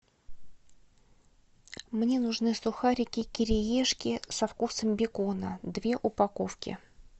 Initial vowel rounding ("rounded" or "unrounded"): unrounded